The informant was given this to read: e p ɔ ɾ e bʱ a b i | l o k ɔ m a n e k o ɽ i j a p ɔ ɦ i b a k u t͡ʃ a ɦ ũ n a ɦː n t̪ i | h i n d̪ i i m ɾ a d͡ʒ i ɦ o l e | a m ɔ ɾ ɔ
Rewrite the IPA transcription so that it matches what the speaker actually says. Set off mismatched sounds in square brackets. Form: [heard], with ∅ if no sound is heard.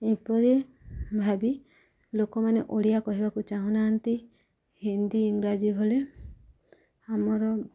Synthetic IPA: e p ɔ ɾ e bʱ a b i | l o k ɔ m a n e [ʔ] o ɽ i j a [k] ɔ ɦ i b a k u t͡ʃ a ɦ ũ n a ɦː n t̪ i | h i n d̪ i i [ŋ] ɾ a d͡ʒ i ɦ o l e | a m ɔ ɾ ɔ